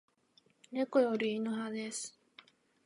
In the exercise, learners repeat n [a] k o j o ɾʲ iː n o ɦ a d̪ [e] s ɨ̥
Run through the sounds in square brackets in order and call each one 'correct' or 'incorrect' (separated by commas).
incorrect, correct